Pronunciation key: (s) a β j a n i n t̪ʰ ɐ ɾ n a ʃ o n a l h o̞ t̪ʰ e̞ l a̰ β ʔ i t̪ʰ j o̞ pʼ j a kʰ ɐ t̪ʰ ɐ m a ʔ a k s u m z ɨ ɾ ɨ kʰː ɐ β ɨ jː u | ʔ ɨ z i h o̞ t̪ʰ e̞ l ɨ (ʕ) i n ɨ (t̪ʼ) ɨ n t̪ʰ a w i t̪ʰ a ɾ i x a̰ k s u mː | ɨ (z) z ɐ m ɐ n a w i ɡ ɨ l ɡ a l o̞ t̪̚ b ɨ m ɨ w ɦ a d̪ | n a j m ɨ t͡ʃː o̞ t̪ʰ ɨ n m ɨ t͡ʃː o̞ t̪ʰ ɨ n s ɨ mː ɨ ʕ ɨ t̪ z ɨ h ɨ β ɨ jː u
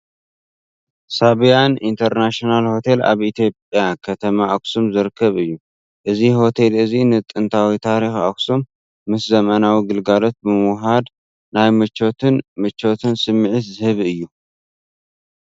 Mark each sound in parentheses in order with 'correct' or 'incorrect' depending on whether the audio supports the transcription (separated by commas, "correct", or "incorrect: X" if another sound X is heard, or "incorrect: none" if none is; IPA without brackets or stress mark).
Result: correct, incorrect: z, correct, incorrect: s